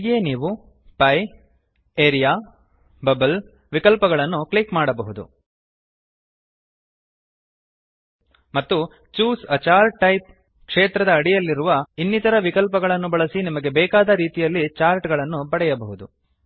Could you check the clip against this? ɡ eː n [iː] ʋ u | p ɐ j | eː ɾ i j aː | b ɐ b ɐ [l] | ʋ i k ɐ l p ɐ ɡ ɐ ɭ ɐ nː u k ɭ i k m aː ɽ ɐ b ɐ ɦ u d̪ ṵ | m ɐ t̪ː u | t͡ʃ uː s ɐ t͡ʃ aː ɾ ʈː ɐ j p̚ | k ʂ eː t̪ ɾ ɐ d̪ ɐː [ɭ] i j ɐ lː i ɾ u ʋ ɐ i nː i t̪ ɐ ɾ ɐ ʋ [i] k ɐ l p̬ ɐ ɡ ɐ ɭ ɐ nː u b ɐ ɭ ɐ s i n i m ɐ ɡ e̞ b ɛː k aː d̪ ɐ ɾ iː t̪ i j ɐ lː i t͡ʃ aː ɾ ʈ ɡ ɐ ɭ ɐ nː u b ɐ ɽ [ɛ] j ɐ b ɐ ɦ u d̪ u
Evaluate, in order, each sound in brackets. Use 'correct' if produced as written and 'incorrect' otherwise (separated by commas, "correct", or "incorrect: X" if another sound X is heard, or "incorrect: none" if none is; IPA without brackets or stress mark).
correct, correct, incorrect: ɽ, correct, correct